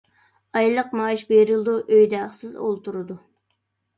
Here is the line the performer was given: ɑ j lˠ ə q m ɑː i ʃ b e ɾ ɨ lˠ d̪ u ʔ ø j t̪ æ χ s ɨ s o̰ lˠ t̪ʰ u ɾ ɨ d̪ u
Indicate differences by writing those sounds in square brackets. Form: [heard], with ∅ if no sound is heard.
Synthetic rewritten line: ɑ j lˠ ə q m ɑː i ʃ b e ɾ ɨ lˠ d̪ u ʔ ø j [d̪] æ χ s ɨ [z] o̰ lˠ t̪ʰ u ɾ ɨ d̪ u